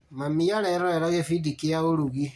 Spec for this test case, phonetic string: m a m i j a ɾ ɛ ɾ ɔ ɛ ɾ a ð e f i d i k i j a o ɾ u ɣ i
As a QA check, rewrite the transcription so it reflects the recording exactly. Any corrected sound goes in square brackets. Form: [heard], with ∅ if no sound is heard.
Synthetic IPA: m a m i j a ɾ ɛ ɾ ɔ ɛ ɾ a [ɣ] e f i d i k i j a o ɾ u ɣ i